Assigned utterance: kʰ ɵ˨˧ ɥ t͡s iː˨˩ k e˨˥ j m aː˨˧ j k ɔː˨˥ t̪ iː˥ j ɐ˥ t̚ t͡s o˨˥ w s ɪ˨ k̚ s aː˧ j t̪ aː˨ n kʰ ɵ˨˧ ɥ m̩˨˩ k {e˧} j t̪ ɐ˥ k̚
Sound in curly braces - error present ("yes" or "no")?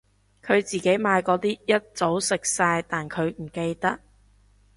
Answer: no